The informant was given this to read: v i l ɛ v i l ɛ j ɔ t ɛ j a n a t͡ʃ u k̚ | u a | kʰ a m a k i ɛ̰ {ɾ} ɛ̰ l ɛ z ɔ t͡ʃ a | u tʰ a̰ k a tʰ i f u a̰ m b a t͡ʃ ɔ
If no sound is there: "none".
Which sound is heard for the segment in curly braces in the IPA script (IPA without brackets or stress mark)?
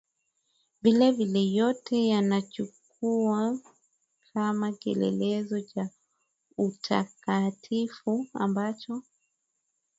l